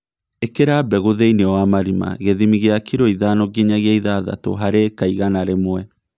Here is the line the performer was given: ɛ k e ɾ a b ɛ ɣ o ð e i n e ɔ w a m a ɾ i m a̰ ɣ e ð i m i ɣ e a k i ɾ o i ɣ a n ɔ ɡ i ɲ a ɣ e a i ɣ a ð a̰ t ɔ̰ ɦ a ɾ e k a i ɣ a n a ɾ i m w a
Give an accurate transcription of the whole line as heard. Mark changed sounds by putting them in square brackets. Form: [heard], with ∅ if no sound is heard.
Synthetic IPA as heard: [e] k e ɾ a b ɛ ɣ o ð e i n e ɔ w a m a ɾ i m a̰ ɣ e ð i m i ɣ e a k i ɾ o i [ð] a n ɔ ɡ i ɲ a ɣ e a i [ð] a ð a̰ t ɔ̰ ɦ a ɾ e k a i ɣ a n a ɾ [e] m w [ɛ]